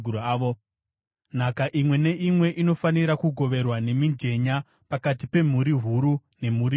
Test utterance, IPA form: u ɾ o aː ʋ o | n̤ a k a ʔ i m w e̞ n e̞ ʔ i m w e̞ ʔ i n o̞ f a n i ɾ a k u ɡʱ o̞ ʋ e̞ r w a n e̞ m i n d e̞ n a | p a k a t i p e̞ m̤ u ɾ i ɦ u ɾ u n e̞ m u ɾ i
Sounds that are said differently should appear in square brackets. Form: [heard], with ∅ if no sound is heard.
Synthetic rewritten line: u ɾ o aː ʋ o | n̤ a k a ʔ i m w e̞ n e̞ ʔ i m w e̞ ʔ i n o̞ f a n i ɾ a k u ɡʱ o̞ ʋ e̞ r w a n e̞ m i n [d͡ʒ] e̞ [ɲ] a | p a k a t i p e̞ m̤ u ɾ i ɦ u ɾ u n e̞ m u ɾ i